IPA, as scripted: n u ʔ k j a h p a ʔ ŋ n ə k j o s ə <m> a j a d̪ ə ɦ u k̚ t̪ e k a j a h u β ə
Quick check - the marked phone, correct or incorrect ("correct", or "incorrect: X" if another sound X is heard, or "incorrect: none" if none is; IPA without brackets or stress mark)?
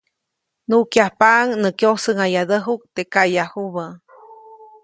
incorrect: ŋ